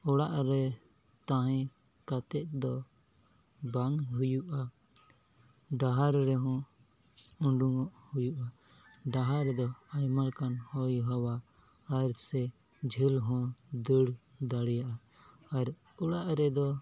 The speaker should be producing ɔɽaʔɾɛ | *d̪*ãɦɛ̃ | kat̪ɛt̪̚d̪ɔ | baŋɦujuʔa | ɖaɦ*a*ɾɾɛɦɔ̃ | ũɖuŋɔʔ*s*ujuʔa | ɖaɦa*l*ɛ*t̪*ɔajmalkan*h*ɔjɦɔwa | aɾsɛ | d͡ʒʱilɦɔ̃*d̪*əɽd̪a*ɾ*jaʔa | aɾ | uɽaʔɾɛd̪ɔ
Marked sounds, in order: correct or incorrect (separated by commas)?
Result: incorrect, correct, incorrect, incorrect, incorrect, correct, correct, incorrect